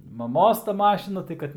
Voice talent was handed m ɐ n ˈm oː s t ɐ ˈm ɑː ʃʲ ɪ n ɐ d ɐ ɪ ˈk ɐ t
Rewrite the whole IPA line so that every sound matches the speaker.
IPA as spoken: m ɐ ˈm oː s t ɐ ˈm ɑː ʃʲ ɪ n ɐ t ɐ ɪ ˈk ɐ t